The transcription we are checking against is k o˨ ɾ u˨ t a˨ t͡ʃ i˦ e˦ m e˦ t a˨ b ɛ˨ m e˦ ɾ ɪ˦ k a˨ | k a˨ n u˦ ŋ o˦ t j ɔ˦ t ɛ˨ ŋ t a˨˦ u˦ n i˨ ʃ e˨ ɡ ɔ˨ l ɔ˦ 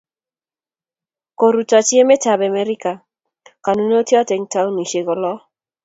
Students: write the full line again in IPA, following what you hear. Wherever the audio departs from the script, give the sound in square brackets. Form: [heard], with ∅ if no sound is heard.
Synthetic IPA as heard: k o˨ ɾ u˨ t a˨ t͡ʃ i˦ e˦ m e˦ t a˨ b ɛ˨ m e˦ ɾ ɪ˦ k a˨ | k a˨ n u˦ [n] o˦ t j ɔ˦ t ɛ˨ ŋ t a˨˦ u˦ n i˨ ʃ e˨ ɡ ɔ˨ l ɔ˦